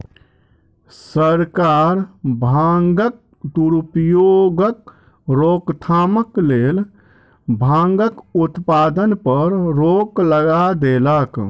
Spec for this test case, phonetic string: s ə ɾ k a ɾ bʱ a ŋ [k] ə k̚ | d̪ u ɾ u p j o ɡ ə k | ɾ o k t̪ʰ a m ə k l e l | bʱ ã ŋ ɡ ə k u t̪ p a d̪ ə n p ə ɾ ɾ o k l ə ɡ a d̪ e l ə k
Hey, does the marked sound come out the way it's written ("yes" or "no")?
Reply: no